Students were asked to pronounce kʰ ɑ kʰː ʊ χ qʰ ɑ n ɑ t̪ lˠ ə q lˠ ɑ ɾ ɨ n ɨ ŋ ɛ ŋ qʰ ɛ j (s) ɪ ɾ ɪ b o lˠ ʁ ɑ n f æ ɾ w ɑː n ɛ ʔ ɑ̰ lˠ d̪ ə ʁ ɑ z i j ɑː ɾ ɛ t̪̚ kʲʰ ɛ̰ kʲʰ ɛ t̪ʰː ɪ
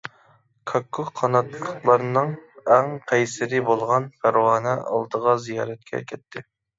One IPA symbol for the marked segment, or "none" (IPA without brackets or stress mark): s